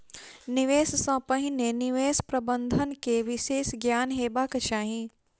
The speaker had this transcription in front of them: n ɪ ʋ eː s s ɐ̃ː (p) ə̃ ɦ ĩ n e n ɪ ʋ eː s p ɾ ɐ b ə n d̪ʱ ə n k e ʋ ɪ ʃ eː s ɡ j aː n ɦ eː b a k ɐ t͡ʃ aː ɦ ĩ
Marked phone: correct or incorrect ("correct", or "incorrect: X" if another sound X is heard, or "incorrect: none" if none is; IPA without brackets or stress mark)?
correct